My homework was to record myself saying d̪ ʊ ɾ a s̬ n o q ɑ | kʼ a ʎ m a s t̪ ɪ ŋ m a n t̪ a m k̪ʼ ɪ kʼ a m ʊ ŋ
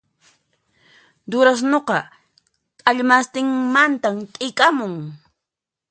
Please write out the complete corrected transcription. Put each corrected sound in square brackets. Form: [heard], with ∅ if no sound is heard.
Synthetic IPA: d̪ ʊ ɾ a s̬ n o q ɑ | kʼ a ʎ m a s t̪ ɪ ŋ m a n t̪ a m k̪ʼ ɪ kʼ a m ʊ ŋ